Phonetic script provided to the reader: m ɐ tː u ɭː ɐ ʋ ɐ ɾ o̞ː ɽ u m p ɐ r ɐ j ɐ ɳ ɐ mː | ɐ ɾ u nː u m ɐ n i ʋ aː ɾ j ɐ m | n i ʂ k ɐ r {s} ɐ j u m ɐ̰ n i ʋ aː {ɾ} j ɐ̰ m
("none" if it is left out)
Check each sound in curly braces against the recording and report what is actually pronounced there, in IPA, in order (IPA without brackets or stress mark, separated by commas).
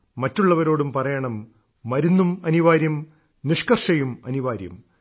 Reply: ʂ, ɾ